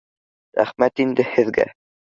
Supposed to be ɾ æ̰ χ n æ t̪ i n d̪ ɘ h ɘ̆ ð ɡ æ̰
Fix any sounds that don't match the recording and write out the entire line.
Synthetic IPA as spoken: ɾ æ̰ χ m æ t̪ i n d̪ ɘ h ɘ̆ ð ɡ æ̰

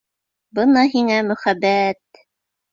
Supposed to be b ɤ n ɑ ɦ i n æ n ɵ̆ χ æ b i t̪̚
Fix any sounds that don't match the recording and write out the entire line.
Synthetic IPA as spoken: b ɤ n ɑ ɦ i ŋ æ m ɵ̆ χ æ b æ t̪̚

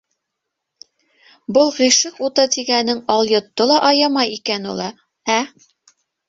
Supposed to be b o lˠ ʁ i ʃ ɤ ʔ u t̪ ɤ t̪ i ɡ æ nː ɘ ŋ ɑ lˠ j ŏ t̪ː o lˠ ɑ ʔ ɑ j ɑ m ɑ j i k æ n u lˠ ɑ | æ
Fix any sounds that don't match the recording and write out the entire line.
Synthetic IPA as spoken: b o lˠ ʁ i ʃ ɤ q u t̪ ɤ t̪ i ɡ æ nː ɘ ŋ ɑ lˠ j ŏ t̪ː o lˠ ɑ ʔ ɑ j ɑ m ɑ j i k æ n u lˠ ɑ | æ

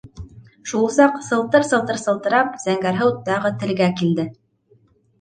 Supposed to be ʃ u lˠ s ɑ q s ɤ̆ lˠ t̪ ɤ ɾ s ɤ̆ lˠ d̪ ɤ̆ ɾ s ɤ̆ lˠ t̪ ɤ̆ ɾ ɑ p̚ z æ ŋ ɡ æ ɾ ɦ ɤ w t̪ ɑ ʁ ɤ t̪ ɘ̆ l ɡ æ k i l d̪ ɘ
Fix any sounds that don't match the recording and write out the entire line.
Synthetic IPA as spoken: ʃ u lˠ s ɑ q s ɤ̆ lˠ t̪ ɤ ɾ s ɤ̆ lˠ t̪ ɤ̆ ɾ s ɤ̆ lˠ t̪ ɤ̆ ɾ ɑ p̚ z æ ŋ ɡ æ ɾ ɦ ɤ w t̪ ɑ ʁ ɤ t̪ ɘ̆ l ɡ æ k i l d̪ ɘ

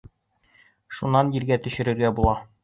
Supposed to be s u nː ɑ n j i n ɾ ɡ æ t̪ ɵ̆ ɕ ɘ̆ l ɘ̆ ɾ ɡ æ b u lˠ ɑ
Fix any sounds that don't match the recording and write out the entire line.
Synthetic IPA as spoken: ʃ u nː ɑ n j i ɾ ɡ æ t̪ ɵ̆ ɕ ɘ̆ ɾ ɘ̆ ɾ ɡ æ b u lˠ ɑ

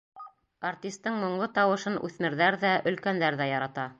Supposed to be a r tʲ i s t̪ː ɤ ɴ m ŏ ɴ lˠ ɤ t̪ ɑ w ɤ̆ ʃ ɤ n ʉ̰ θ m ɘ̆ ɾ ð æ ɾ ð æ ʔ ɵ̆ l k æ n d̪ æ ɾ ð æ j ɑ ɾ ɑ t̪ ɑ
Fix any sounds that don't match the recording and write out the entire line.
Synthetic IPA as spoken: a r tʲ i s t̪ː ɤ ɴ m ŏ ɴ lˠ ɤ t̪ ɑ w ɤ̆ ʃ ɤ n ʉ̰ θ m ɘ̆ ɾ ð æ ɾ ð æ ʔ ɵ̆ l k æ n d̪ æ ɾ ð æ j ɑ ɾ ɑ t̪ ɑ

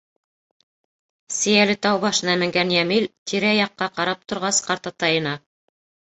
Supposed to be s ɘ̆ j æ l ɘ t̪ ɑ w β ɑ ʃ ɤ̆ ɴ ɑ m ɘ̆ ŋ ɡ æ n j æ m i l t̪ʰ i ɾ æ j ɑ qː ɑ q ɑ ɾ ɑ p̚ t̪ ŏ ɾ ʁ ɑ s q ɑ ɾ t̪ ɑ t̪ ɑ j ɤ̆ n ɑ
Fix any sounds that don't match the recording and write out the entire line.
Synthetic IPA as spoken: s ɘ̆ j æ l ɘ t̪ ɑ w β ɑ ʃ ɤ̆ n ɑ m ɘ̆ ŋ ɡ æ n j æ m i l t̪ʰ i ɾ æ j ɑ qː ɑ q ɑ ɾ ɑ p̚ t̪ ŏ ɾ ʁ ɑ s q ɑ ɾ t̪ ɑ t̪ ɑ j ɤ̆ n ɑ

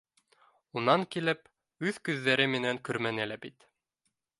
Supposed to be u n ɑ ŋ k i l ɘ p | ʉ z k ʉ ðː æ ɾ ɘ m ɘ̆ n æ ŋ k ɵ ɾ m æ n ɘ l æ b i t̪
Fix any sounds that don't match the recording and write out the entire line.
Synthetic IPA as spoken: u n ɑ ŋ k i l ɘ p | ʉ ð k ʉ ðː æ ɾ ɘ m ɘ̆ n æ ŋ k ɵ ɾ m æ n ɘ l æ b i t̪

